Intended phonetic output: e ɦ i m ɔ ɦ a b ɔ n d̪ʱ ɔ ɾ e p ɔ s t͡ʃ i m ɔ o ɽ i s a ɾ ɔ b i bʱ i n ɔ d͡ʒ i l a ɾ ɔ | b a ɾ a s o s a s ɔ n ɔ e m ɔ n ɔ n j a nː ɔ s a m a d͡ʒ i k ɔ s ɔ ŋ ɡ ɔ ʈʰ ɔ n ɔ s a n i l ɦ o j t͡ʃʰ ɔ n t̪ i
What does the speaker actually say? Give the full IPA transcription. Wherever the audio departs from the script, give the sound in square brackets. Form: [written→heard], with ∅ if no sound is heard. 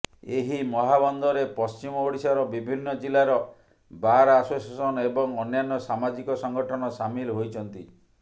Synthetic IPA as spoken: e ɦ i m ɔ ɦ a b ɔ n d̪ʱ ɔ ɾ e p ɔ s t͡ʃ i m ɔ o ɽ i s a ɾ ɔ b i bʱ i [n→nː] ɔ d͡ʒ i l a ɾ ɔ | b a ɾ a s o s a s ɔ n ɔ e [m→b] ɔ [n→ŋ] ɔ n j a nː ɔ s a m a d͡ʒ i k ɔ s ɔ ŋ ɡ ɔ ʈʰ ɔ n ɔ s a [n→m] i l ɦ o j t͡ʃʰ ɔ n t̪ i

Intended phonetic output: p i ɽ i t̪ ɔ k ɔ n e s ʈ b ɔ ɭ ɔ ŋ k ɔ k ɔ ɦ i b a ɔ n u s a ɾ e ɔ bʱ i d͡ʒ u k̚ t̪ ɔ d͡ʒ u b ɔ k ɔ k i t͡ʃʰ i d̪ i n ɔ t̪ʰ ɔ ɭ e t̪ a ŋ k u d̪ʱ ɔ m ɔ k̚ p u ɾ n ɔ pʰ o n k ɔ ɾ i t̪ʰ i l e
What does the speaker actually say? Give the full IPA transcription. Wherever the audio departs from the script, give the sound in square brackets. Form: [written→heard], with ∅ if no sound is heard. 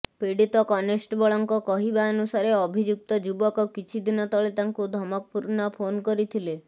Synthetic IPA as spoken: p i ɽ i t̪ ɔ k ɔ n e s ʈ b ɔ ɭ ɔ ŋ k ɔ k ɔ ɦ i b a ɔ n u s a ɾ e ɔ bʱ i d͡ʒ u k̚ t̪ ɔ d͡ʒ u b ɔ k ɔ k i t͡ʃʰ i d̪ i n ɔ [t̪ʰ→t̪] ɔ ɭ e t̪ a ŋ k u d̪ʱ ɔ m ɔ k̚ p u ɾ n ɔ pʰ o n k ɔ ɾ i t̪ʰ i l e

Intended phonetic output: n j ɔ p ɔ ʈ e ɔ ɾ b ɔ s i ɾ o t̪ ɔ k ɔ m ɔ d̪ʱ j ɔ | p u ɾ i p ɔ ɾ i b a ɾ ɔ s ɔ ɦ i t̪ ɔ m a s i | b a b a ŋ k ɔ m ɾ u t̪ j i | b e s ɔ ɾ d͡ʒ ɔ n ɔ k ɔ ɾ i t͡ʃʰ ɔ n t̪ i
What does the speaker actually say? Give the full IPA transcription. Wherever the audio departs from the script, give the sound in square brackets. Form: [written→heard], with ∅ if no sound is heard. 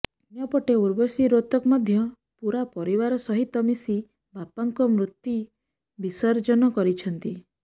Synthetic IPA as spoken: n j ɔ p ɔ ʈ e [ɔ→u] ɾ b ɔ s i ɾ o t̪ ɔ k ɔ m ɔ d̪ʱ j ɔ | p u ɾ [i→a] p ɔ ɾ i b a ɾ ɔ s ɔ ɦ i t̪ ɔ m [a→i] s i | b a [b→p] a ŋ k ɔ m ɾ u t̪ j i | b [e→i] s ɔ ɾ d͡ʒ ɔ n ɔ k ɔ ɾ i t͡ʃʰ ɔ n t̪ i

